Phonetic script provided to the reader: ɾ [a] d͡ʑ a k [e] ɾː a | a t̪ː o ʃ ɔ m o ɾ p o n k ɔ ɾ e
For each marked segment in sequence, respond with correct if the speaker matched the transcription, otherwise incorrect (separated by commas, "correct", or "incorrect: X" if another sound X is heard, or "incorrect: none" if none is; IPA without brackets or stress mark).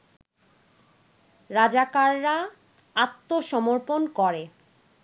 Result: correct, incorrect: a